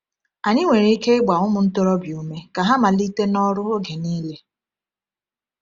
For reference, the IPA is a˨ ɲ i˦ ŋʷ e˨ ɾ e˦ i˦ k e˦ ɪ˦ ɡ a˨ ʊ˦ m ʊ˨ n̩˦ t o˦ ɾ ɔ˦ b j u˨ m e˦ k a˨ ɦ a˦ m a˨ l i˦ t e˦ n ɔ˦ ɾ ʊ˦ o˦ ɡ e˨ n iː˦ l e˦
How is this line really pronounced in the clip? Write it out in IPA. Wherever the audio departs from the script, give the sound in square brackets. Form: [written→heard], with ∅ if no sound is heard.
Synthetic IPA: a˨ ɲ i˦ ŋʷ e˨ ɾ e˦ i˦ k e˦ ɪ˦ [ɡ→ɡ͡b] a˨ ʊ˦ m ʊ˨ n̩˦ t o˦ ɾ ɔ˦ b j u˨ m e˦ k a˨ ɦ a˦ m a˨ l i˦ t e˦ n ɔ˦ ɾ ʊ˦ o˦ ɡ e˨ n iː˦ l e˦

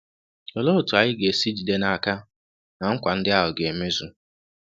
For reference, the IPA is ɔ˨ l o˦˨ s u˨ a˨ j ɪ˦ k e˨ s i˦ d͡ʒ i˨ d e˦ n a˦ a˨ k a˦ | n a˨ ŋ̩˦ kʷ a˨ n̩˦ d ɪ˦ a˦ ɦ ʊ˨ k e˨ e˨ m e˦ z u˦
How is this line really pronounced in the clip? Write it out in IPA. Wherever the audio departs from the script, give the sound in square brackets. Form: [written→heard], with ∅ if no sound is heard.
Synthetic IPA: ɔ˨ l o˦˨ [s→t] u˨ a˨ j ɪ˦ [k→ɡ] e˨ s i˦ d͡ʒ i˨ d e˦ n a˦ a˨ k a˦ | n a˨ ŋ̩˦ kʷ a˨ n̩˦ d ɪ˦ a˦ ɦ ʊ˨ [k→ɡ] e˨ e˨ m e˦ z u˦

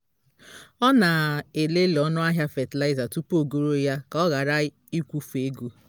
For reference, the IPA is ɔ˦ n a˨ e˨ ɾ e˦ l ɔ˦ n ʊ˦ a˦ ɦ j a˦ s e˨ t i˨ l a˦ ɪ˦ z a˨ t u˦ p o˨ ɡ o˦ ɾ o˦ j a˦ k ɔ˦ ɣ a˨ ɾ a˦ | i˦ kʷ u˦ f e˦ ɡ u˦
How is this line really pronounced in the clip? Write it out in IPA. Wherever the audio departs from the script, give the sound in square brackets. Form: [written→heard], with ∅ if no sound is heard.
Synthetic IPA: ɔ˦ n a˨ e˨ [ɾ→l] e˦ l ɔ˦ n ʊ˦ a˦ ɦ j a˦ [s→f] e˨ t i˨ l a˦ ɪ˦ z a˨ t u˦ p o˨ ɡ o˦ ɾ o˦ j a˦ k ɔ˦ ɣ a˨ ɾ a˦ | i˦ kʷ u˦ f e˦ ɡ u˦

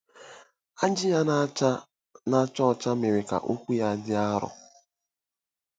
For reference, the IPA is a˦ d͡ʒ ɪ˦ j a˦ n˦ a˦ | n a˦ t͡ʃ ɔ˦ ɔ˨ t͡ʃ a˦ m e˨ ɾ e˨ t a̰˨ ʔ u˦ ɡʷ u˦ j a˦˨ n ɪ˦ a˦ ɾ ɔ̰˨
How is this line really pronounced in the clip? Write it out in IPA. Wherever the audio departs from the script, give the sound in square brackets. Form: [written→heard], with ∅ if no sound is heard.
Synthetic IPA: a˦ d͡ʒ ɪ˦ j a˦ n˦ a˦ | n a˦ t͡ʃ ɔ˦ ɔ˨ t͡ʃ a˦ m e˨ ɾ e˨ [t→k] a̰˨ ʔ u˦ [ɡʷ→kʷ] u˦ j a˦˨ [n→d] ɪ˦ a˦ ɾ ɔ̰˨

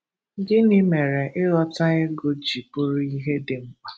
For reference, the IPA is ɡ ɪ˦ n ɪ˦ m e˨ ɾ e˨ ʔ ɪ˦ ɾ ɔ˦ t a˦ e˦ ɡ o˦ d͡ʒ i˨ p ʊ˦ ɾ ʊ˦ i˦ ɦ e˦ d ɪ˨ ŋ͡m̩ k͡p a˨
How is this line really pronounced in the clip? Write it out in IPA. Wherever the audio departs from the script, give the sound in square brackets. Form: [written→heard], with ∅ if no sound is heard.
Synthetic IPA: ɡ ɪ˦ n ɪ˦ m e˨ ɾ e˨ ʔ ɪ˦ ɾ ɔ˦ t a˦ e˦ ɡ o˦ d͡ʒ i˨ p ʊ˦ ɾ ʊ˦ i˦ ɦ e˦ d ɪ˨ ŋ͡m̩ k͡p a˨

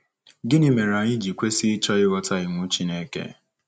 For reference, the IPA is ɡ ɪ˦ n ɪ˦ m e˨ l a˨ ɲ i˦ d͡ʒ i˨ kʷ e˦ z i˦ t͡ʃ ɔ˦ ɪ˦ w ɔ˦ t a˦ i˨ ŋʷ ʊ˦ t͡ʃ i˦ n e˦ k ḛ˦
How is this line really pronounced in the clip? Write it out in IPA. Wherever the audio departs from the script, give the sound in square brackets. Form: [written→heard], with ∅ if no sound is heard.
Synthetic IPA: ɡ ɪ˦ n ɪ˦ m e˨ [l→ɾ] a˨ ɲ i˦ d͡ʒ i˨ kʷ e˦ [z→s] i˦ t͡ʃ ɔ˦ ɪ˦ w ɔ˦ t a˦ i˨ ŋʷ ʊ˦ t͡ʃ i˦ n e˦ k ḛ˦

